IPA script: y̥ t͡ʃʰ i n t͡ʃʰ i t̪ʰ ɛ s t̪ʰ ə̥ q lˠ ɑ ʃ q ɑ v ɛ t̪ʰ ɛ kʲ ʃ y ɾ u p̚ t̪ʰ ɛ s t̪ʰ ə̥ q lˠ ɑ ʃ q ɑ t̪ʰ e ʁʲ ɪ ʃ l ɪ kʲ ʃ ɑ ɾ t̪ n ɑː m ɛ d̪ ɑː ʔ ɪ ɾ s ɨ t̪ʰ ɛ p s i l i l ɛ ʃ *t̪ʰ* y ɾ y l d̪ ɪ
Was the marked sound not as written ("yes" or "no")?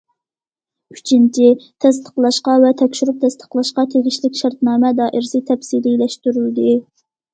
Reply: yes